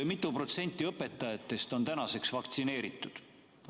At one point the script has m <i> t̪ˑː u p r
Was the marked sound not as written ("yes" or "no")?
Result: no